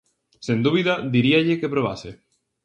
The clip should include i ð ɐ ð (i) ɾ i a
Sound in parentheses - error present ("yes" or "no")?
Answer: no